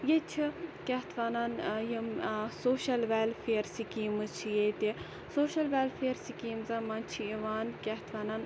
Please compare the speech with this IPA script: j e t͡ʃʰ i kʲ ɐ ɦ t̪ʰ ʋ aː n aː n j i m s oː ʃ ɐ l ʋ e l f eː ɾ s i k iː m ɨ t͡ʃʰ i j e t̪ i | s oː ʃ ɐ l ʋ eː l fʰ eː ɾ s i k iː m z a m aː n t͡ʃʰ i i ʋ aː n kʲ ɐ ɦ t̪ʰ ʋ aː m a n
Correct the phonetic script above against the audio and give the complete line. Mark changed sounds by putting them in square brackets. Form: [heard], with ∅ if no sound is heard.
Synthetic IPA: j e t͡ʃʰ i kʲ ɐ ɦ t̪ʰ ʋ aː n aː n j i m s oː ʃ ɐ l ʋ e l f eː ɾ s i k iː m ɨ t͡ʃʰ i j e t̪ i | s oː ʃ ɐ l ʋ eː l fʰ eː ɾ s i k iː m z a m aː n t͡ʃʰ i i ʋ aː n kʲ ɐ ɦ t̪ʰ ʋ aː [n] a n